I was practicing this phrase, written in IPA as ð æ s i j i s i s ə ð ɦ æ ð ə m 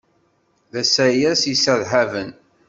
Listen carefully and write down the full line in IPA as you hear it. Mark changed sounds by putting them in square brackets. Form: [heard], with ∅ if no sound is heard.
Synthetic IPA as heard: ð æ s [æ] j [æ] s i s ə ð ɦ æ [v] ə [n]